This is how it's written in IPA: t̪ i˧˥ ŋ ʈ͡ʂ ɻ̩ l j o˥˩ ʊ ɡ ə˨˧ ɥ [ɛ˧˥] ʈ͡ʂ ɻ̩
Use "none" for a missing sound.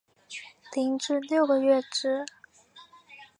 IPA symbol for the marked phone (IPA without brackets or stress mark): ɛ˥˩